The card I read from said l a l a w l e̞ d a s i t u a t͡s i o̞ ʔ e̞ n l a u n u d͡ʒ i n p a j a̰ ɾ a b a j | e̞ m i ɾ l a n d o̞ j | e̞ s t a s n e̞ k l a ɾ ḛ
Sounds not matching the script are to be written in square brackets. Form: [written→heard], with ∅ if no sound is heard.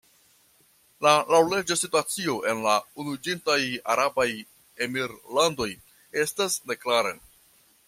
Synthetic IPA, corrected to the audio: l a l a w l e̞ [d→d͡ʒ] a s i t u a t͡s i o̞ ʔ e̞ n l a u n u d͡ʒ i n [p→t] a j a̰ ɾ a b a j | e̞ m i ɾ l a n d o̞ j | e̞ s t a s n e̞ k l a ɾ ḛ